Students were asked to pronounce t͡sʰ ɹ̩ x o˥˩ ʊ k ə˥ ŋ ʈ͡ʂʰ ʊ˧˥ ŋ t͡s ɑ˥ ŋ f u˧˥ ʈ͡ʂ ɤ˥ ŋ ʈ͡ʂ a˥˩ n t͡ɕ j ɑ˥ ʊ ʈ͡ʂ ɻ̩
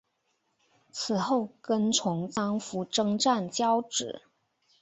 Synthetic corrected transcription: t͡sʰ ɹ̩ x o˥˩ ʊ k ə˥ n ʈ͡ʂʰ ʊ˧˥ ŋ t͡s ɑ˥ ŋ f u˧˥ ʈ͡ʂ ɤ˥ ŋ ʈ͡ʂ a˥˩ n t͡ɕ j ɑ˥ ʊ ʈ͡ʂ ɻ̩

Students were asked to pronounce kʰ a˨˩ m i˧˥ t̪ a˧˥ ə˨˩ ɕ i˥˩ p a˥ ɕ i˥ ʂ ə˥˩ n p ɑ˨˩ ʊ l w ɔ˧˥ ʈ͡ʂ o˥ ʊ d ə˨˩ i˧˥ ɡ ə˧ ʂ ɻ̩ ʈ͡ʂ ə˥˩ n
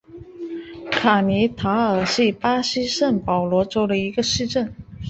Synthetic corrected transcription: kʰ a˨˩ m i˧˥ t̪ʰ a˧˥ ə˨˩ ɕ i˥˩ p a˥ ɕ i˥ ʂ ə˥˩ n p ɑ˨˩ ʊ l w ɔ˧˥ ʈ͡ʂ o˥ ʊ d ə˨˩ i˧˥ ɡ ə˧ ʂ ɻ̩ ʈ͡ʂ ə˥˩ n

